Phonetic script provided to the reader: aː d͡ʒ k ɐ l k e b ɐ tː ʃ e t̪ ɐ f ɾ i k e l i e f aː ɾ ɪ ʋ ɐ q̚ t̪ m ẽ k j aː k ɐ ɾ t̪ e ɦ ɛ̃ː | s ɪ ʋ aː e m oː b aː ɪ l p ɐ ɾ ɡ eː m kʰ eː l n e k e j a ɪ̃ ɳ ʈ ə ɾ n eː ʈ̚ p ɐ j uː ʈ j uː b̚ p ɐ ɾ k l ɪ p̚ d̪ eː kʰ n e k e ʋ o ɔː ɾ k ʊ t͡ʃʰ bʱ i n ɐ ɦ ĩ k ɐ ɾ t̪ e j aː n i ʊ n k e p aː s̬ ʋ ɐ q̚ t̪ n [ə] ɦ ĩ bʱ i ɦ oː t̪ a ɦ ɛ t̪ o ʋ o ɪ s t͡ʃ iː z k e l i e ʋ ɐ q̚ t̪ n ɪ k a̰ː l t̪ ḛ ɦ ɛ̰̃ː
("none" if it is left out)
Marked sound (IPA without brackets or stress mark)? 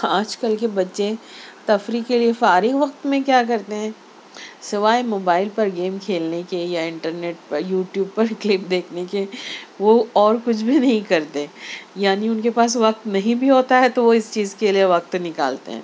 ɐ